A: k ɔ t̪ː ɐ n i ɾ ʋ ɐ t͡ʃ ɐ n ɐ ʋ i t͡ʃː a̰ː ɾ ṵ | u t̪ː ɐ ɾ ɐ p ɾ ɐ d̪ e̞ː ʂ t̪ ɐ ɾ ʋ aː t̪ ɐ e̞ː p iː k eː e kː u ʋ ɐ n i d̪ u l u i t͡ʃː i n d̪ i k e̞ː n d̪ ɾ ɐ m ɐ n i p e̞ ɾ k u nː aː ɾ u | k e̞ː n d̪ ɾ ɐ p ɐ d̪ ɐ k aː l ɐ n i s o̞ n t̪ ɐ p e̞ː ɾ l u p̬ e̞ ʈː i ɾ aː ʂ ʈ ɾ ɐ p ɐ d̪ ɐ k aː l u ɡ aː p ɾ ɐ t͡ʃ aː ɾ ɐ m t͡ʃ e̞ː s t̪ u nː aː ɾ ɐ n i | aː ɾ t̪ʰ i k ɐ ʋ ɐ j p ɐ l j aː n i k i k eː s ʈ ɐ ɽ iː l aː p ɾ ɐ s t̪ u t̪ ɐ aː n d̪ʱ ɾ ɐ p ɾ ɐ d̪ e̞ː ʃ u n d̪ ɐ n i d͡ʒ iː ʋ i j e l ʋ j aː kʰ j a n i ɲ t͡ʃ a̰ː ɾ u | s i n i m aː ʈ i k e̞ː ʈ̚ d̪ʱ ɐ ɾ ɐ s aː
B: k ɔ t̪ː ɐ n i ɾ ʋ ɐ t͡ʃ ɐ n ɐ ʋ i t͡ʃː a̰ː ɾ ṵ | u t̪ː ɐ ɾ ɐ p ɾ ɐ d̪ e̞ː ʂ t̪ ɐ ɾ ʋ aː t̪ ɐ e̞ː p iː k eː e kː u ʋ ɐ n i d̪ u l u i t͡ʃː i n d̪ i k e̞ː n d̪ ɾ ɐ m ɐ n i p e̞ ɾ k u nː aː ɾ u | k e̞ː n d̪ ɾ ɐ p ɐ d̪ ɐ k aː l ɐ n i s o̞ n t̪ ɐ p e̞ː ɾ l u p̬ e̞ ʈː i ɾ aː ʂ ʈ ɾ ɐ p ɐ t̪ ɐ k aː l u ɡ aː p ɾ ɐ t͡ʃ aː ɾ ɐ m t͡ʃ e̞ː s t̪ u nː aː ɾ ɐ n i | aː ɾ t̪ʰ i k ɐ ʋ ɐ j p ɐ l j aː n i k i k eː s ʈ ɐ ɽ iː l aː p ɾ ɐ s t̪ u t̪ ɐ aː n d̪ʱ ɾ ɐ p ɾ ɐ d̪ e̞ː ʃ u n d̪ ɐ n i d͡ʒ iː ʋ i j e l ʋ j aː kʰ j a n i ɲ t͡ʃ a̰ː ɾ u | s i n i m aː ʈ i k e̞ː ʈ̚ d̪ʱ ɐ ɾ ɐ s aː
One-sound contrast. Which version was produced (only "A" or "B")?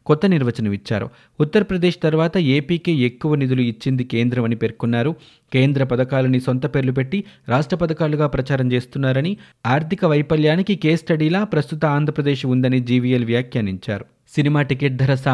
A